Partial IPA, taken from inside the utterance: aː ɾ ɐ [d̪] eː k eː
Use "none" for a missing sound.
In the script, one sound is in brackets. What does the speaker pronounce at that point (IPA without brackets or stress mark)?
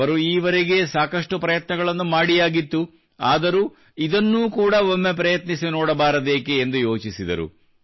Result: d̪